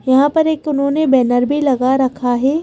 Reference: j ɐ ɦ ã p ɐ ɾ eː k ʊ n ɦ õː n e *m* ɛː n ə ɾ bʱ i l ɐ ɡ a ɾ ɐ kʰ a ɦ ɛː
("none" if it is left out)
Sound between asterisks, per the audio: b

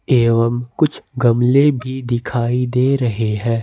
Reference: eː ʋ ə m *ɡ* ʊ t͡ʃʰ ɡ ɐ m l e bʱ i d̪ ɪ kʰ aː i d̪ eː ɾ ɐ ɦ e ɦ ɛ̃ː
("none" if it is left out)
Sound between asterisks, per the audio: k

